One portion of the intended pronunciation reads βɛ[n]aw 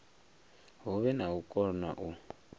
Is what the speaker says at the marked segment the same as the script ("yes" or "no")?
yes